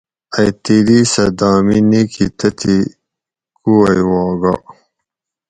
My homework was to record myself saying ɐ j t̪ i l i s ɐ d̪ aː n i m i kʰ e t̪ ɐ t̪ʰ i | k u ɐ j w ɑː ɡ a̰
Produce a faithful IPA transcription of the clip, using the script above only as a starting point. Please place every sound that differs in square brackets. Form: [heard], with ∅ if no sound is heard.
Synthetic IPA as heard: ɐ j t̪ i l i s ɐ d̪ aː [m] i [n] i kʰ [i] t̪ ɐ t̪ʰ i | k u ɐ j w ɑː ɡ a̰